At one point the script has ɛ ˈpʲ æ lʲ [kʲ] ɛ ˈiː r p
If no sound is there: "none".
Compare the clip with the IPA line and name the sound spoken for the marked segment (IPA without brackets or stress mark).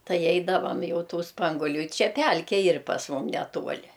kʲ